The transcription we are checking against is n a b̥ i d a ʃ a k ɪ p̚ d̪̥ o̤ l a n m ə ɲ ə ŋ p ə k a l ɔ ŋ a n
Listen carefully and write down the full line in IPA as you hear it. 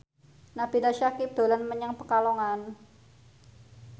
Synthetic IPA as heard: n a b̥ i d a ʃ a k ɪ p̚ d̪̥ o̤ l a n m ə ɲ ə ŋ p ə k a l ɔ ŋ a n